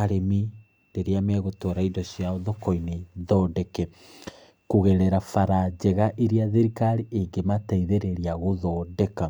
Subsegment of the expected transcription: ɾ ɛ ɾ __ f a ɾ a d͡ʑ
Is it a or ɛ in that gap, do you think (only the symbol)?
a